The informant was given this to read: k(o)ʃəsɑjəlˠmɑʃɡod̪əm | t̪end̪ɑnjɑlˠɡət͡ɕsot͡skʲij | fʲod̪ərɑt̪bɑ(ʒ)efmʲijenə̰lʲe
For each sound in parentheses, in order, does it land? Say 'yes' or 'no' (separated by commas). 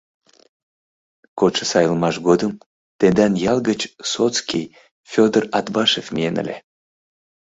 yes, no